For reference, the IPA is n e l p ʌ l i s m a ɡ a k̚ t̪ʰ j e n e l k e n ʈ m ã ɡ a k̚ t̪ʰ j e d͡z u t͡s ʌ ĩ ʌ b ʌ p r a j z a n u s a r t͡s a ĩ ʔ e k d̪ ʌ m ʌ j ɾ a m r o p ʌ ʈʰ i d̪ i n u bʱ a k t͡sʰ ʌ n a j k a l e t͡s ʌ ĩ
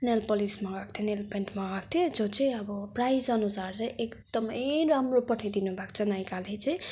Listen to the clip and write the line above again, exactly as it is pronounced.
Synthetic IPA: n e l p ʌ l i s m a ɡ a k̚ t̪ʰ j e n e l p e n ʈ m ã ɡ a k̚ t̪ʰ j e d͡z o t͡s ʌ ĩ ʌ b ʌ p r a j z ʌ n u s a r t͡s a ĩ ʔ e k d̪ ʌ m ʌ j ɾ a m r o p ʌ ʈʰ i d̪ i n u bʱ a k t͡sʰ ʌ n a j k a l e t͡s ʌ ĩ